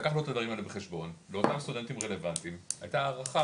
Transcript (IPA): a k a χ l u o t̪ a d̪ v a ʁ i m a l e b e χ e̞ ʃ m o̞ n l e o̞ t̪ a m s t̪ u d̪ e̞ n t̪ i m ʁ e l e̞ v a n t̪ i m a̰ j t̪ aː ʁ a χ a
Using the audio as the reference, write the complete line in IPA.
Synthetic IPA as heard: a k a χ l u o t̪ a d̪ v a ʁ i m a l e b e χ e̞ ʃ b o̞ n l e o̞ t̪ a m s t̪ u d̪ e̞ n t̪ i m ʁ e l e̞ v a n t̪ i m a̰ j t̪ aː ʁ a χ a